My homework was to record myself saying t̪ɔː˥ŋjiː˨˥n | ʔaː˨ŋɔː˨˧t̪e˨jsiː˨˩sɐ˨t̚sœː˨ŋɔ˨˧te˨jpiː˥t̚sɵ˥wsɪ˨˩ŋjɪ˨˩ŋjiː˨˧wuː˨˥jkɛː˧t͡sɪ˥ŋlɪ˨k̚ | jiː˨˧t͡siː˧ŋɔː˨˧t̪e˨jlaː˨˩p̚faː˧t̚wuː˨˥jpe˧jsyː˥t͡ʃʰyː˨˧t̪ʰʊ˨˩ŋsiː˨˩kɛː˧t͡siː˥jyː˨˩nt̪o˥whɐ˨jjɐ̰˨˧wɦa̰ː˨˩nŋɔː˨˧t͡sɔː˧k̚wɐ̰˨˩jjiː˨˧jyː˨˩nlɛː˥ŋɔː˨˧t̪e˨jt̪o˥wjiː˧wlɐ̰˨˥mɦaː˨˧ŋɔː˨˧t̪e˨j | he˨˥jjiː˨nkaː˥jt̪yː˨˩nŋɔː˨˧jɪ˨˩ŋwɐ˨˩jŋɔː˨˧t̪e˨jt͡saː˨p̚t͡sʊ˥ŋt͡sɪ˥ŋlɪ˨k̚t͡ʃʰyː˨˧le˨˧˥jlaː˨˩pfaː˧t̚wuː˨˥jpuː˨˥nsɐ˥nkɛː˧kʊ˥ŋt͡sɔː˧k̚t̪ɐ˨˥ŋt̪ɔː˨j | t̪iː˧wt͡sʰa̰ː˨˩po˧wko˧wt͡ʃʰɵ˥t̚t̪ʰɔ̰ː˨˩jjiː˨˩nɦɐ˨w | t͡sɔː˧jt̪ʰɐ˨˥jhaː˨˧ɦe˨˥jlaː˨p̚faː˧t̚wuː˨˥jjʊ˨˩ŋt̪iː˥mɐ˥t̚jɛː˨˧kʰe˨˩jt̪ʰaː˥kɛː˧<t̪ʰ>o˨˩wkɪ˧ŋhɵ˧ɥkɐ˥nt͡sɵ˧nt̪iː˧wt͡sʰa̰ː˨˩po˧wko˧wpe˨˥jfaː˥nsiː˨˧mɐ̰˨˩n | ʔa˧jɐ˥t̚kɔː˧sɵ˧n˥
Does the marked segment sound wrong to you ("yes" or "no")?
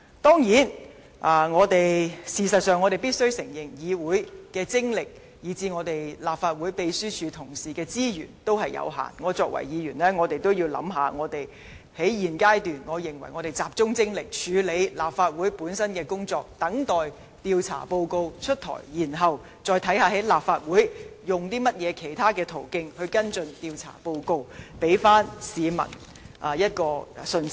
no